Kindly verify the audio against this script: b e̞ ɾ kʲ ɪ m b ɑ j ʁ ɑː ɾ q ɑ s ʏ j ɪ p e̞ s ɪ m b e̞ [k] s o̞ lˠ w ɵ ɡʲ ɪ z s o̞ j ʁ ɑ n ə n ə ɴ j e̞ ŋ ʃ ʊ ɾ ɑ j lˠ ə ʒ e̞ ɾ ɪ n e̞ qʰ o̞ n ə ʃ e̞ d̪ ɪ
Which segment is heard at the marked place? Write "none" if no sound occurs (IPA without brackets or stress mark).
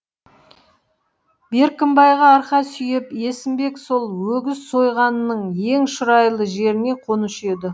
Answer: k